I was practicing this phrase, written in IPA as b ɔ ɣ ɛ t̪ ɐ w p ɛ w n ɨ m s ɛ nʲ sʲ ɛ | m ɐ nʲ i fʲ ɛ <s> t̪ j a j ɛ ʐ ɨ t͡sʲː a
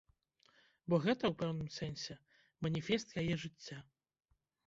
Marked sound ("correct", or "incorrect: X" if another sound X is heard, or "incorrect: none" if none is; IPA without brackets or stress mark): correct